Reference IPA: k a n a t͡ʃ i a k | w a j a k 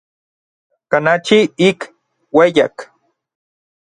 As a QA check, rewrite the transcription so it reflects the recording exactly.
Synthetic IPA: k a n a t͡ʃ i i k | w e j a k